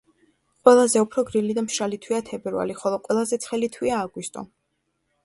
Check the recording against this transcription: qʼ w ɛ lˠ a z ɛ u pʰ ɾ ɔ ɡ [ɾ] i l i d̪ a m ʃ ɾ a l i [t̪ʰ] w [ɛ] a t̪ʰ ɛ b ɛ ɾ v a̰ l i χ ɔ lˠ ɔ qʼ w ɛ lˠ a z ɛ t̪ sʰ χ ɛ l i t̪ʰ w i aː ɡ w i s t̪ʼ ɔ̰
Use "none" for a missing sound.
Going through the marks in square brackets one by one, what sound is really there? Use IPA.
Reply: ɾ, t̪ʰ, i

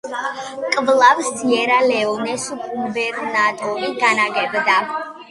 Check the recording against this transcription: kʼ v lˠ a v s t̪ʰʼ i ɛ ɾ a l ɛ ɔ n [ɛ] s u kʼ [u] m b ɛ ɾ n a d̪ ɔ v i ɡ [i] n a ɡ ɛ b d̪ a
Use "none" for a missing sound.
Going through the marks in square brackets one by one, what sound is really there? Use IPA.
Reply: ɛ, u, a

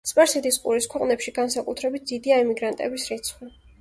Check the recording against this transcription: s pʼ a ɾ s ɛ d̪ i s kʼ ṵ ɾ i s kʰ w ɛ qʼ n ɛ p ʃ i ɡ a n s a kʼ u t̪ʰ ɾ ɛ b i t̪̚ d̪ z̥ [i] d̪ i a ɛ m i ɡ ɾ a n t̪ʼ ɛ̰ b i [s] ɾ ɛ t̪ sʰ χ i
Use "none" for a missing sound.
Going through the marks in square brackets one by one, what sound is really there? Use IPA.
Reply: i, s

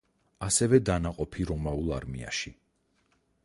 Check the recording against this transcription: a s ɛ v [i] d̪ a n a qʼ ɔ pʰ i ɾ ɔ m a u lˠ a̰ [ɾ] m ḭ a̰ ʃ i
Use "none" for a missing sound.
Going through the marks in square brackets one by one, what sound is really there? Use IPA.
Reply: ɛ, ɾ

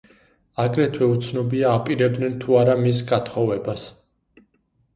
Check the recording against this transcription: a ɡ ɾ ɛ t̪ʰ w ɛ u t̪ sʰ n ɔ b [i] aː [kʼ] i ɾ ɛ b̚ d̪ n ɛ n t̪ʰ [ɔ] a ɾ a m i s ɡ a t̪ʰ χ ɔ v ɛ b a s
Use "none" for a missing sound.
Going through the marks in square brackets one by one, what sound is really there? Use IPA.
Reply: i, pʼ, u

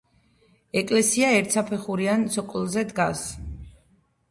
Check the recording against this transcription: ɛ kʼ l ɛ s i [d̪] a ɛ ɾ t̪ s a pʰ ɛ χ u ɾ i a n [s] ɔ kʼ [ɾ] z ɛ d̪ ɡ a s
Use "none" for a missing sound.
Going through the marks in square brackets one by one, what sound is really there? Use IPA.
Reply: none, s, l

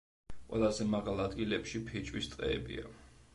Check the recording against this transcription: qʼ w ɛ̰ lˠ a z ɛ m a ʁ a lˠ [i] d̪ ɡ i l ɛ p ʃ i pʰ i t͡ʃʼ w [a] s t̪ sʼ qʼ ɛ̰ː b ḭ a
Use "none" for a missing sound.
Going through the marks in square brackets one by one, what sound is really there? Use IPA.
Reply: a, i

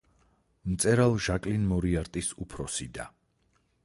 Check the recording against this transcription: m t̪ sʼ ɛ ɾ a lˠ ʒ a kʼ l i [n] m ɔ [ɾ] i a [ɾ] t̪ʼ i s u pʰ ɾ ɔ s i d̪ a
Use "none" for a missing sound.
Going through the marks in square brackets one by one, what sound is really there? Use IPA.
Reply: n, ɾ, ɾ

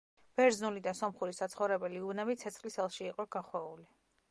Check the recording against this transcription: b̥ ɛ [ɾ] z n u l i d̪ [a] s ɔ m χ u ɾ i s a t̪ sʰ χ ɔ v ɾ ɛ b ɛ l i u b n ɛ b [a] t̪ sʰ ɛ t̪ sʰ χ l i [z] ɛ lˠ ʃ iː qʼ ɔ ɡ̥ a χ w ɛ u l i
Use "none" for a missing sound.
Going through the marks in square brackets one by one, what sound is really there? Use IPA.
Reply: ɾ, a, i, s

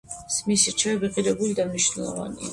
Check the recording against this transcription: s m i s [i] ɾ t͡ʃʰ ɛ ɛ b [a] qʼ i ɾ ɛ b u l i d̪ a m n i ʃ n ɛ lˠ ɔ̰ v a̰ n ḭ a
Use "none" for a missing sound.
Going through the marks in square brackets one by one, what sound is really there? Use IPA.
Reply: i, i

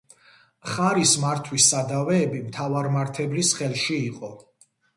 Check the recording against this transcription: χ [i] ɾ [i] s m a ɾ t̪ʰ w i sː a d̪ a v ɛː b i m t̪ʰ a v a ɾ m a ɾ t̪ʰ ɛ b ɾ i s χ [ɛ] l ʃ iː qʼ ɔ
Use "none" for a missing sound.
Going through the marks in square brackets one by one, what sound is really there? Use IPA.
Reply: a, i, ɛ

